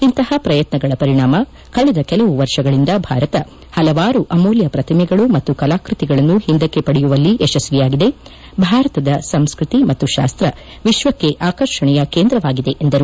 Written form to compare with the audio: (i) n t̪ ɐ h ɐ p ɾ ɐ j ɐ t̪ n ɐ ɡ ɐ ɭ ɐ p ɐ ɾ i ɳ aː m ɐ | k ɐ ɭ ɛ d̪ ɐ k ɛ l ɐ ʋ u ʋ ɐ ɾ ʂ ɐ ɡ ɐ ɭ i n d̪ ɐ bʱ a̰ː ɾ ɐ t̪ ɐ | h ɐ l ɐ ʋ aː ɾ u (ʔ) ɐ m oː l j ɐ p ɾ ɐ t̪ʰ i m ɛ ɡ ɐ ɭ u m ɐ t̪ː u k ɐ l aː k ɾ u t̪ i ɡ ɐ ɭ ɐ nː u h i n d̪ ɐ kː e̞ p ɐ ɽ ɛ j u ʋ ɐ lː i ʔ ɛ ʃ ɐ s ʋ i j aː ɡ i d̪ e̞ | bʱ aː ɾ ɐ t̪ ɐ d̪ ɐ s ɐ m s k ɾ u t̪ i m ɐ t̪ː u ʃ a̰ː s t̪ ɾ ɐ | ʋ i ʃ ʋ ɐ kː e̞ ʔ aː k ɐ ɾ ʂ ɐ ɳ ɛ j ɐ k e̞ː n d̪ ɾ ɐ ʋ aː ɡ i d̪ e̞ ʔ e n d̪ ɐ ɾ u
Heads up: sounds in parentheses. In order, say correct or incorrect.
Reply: correct, correct

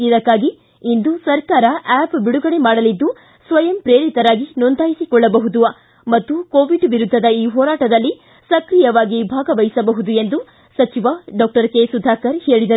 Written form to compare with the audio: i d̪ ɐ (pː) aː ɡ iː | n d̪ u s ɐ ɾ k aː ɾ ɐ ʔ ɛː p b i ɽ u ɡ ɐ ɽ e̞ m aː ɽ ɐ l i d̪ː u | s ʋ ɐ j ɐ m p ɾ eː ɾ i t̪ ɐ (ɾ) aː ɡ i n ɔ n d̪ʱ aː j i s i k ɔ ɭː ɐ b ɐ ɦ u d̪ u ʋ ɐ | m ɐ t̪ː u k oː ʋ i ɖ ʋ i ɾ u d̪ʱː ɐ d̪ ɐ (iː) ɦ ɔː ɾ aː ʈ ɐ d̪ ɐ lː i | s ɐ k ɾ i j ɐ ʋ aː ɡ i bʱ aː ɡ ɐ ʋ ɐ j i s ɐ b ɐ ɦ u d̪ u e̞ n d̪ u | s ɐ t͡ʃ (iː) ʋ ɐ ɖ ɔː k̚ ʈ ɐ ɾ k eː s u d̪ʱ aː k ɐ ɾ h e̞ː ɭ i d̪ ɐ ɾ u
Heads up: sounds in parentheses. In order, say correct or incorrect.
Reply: incorrect, correct, correct, incorrect

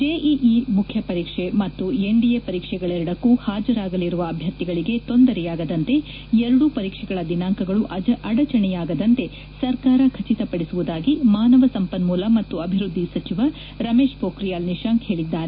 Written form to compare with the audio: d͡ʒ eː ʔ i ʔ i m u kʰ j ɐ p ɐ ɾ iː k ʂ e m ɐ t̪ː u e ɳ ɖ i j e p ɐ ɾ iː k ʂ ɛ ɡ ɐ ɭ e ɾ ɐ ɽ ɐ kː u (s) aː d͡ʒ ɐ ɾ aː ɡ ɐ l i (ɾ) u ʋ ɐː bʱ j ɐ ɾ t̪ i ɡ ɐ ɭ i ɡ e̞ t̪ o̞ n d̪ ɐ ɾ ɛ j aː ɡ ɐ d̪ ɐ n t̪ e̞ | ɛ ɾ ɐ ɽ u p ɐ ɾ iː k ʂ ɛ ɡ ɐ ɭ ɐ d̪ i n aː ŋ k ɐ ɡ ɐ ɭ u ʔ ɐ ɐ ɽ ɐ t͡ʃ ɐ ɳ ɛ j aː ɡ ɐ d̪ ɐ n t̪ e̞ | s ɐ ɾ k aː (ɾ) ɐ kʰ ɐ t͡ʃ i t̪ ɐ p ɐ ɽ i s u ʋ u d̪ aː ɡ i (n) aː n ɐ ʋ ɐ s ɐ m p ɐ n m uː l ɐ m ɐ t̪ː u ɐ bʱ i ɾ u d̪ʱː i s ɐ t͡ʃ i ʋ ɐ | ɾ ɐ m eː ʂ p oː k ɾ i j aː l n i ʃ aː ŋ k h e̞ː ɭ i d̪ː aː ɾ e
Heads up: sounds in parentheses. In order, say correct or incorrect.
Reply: incorrect, correct, correct, incorrect

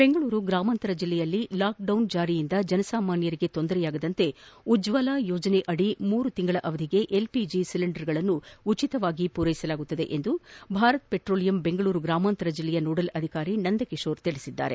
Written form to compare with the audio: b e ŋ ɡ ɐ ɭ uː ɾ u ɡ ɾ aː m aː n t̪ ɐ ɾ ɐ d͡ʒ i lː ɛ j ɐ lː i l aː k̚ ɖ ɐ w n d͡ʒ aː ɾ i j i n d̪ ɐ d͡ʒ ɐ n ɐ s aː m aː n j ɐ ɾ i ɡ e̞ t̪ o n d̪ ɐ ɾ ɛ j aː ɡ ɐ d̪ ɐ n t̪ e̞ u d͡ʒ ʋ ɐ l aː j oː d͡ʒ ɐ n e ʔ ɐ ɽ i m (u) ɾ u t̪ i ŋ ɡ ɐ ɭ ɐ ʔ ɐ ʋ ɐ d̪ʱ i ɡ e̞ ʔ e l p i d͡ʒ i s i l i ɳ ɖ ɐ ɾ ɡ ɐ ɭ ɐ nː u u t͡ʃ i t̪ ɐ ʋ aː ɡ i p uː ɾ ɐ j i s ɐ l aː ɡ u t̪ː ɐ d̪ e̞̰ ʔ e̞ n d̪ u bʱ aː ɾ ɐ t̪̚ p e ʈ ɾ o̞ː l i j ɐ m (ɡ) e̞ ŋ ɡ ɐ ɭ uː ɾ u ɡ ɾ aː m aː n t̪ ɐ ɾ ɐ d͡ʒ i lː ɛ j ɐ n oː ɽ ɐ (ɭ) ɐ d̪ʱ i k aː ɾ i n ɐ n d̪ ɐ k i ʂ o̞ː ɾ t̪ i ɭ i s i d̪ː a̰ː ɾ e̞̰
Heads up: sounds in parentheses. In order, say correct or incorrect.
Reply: incorrect, incorrect, incorrect

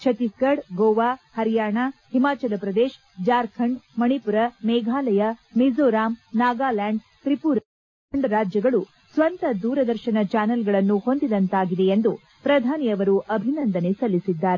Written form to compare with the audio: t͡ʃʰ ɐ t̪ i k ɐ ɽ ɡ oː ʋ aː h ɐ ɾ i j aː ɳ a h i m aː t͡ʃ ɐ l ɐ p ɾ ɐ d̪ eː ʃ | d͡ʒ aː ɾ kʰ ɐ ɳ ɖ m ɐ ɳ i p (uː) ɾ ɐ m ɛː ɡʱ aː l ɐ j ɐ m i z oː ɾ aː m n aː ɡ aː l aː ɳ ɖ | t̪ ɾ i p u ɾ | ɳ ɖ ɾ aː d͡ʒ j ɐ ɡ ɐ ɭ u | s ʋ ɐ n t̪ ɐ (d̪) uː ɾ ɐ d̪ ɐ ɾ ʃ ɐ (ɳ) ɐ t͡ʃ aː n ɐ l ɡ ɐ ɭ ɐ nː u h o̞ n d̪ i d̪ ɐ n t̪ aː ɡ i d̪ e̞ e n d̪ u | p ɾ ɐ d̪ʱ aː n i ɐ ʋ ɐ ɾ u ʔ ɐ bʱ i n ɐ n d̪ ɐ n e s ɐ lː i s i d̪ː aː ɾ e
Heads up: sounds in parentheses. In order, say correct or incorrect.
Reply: incorrect, correct, incorrect

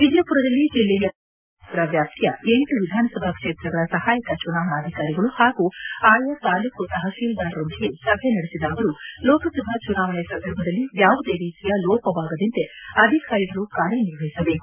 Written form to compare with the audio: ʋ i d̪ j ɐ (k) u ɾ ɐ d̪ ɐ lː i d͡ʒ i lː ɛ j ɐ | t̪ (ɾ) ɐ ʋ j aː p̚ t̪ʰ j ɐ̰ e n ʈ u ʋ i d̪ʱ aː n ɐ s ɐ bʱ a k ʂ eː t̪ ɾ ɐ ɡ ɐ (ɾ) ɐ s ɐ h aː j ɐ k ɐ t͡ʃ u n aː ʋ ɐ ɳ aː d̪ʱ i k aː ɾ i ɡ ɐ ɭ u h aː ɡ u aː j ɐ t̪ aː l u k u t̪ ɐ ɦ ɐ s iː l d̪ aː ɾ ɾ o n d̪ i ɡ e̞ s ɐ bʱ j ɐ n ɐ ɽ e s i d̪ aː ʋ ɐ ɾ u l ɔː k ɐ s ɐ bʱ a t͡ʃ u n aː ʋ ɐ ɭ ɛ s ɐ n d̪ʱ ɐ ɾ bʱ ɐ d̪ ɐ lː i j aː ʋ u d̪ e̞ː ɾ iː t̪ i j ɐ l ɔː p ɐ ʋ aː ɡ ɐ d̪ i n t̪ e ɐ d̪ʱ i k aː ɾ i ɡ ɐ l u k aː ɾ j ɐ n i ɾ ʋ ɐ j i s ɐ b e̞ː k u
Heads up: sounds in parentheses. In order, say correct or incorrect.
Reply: incorrect, correct, incorrect

